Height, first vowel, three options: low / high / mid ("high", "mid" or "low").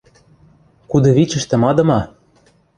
high